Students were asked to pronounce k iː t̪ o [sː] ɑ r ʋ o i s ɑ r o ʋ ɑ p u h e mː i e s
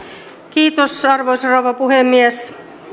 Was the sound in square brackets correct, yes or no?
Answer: no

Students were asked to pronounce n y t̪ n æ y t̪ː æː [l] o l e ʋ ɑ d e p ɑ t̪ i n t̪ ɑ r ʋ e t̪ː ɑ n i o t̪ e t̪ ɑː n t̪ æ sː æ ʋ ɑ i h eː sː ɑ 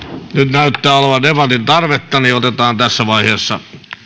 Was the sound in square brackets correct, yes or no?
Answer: no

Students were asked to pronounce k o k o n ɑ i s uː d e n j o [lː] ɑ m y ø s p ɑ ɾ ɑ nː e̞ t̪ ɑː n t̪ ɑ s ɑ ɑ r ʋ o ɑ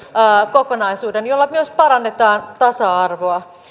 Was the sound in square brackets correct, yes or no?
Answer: yes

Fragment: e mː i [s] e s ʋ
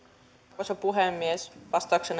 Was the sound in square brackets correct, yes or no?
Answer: no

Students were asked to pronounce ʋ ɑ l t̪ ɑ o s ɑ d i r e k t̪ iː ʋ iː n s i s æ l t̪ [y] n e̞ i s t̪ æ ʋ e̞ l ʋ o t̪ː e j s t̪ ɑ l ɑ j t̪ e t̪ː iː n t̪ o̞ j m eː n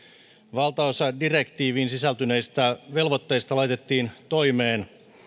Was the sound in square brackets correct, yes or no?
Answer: yes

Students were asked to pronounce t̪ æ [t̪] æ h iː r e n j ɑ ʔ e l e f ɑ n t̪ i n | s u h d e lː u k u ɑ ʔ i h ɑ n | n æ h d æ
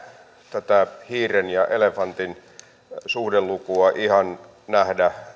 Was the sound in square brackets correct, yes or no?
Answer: yes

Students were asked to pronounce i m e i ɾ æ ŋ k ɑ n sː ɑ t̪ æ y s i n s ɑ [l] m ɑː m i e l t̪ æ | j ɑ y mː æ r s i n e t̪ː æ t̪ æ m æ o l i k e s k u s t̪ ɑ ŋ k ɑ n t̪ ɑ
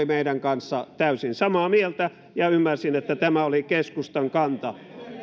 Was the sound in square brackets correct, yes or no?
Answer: no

